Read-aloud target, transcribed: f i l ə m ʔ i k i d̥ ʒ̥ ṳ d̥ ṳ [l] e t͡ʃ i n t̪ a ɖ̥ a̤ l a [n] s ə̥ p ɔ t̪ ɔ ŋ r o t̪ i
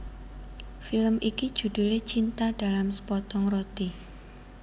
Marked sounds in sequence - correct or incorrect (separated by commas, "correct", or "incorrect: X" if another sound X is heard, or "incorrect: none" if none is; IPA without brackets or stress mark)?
correct, incorrect: m